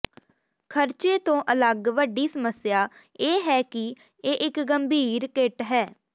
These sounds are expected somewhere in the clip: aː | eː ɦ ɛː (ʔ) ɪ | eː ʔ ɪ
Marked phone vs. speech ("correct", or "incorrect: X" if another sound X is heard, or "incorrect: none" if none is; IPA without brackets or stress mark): incorrect: k